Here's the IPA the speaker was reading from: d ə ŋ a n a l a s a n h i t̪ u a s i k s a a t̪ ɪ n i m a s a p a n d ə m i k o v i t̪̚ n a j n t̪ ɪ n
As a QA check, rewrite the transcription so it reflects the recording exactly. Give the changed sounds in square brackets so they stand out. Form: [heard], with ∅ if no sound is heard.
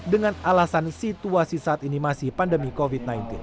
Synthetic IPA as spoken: d ə ŋ a n a l a s a n [s] i t̪ u a s i [∅] s a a t̪ [i] n i m a s [i] p a n d ə m i k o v i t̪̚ n a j n t̪ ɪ n